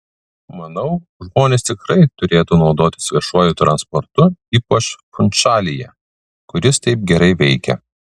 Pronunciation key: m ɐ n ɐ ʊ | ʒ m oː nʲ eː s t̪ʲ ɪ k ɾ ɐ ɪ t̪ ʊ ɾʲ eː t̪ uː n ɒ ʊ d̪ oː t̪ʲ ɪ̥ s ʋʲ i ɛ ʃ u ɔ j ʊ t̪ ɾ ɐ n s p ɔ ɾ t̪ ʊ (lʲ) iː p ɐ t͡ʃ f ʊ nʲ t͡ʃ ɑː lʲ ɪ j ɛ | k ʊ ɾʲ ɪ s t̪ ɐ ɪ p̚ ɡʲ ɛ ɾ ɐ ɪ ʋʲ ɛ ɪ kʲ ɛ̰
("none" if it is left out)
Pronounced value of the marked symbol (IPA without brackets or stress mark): none